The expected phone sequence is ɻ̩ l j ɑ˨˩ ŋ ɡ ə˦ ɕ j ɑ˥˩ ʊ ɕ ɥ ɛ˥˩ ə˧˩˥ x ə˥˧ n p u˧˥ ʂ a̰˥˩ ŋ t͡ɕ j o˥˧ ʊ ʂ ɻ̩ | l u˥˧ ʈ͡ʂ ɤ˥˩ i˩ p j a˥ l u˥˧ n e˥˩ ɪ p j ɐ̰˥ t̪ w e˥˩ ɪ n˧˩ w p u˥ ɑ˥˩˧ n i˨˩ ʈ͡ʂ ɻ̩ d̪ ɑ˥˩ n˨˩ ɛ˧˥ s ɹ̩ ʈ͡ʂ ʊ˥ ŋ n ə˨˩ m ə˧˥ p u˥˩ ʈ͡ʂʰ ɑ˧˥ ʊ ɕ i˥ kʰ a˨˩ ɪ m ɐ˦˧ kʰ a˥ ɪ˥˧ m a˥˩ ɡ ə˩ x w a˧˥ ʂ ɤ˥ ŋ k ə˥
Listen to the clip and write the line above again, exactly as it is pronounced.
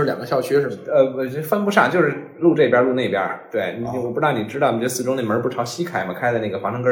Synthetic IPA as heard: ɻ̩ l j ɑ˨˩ ŋ ɡ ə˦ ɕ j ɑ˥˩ ʊ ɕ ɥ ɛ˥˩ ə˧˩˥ f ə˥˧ n p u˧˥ ʂ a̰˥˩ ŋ t͡ɕ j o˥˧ ʊ ʂ ɻ̩ | l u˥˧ ʈ͡ʂ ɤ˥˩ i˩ p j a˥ l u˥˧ n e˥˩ ɪ p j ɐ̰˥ t̪ w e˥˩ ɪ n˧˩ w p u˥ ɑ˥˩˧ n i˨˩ ʈ͡ʂ ɻ̩ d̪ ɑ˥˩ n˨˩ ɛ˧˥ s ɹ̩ ʈ͡ʂ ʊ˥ ŋ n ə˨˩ m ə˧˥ p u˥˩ ʈ͡ʂʰ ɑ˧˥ ʊ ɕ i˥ kʰ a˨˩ ɪ m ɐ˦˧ kʰ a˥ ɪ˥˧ n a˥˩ ɡ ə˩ x w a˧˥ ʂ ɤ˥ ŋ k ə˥